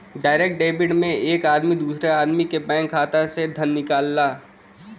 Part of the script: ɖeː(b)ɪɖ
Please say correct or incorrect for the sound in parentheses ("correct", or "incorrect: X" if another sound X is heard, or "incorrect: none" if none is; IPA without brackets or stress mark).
correct